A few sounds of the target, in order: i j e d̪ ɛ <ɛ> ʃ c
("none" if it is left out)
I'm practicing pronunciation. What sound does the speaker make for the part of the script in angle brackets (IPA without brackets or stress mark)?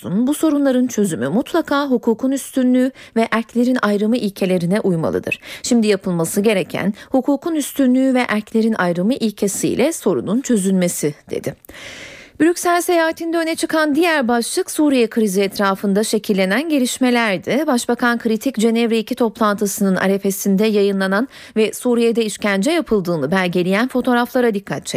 i